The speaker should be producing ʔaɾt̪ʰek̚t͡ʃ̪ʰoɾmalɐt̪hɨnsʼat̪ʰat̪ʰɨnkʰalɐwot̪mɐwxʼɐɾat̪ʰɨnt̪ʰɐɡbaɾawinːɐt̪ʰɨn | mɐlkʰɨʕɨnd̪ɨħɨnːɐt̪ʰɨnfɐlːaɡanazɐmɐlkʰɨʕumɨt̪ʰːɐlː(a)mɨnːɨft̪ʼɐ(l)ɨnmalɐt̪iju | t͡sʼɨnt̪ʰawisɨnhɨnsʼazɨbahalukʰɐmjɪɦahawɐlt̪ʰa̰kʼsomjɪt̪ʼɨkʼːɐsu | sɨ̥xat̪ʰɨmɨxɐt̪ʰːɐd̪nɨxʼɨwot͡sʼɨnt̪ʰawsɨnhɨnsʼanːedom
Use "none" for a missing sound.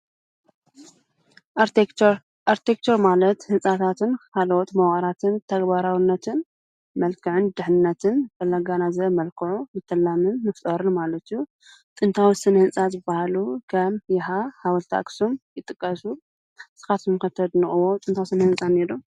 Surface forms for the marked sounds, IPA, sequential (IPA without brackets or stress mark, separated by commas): a, ɾ